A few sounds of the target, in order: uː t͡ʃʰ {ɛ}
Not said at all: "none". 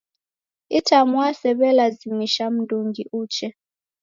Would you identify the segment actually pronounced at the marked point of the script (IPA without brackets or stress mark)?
ɛ